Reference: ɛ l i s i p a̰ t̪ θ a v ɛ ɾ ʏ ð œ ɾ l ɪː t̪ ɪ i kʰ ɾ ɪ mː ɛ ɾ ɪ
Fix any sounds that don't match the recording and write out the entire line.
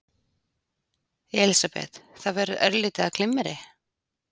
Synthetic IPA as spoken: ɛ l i s a p ɛ̰ t̪ θ a v ɛ ɾ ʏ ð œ ɾ l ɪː t̪ ɪ a kʰ l ɪ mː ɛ ɾ ɪ